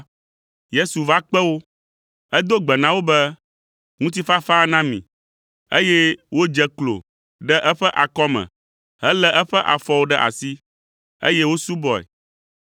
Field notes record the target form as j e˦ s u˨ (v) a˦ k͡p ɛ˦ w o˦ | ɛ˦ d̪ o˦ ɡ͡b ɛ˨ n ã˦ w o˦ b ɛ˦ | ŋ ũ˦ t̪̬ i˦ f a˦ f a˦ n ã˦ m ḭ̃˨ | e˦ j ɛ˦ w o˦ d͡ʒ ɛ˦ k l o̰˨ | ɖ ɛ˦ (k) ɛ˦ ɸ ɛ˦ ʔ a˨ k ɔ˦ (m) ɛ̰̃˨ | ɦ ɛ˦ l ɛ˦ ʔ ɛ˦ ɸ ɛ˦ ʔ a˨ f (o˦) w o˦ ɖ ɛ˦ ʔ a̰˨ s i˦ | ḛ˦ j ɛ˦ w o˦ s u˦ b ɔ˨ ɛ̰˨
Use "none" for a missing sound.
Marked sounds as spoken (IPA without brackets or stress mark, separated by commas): v, ʔ, m, ɔ˦